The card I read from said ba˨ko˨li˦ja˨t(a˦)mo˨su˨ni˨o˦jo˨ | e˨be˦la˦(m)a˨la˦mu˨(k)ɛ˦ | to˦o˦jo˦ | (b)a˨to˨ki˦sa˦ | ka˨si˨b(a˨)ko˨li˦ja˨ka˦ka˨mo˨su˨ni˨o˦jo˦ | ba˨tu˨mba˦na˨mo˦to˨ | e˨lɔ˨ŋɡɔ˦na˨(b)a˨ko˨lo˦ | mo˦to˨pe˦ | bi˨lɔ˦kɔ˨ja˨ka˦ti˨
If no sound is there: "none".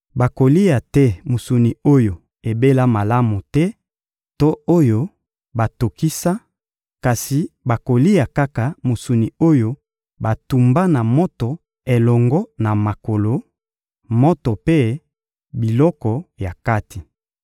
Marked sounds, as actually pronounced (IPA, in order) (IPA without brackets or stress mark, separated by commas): ɛ˦, m, t, b, a˨, m